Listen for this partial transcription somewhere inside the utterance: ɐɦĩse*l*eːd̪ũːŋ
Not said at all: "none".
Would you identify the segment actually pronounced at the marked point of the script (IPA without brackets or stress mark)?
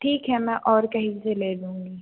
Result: l